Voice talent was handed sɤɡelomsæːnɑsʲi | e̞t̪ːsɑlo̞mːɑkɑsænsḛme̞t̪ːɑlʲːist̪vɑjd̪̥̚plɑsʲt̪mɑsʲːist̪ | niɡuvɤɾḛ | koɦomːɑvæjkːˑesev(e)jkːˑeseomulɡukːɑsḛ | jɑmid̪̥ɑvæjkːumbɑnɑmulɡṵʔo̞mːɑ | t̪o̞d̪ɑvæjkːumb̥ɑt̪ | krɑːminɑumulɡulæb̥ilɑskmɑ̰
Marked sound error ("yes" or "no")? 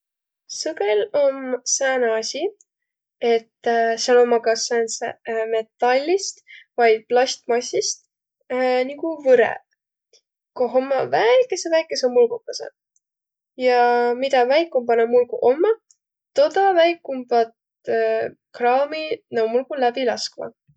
yes